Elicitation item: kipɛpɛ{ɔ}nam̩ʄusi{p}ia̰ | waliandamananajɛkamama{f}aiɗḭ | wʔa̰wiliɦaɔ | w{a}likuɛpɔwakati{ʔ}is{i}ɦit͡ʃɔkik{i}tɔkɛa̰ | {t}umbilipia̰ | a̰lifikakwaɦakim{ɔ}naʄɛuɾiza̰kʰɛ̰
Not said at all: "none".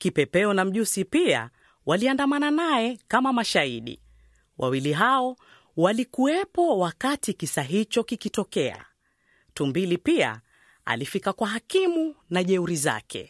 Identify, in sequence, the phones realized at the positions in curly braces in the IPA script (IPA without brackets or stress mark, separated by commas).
ɔ, p, ʃ, a, k, a, i, t, u